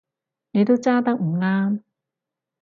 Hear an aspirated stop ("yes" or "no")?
no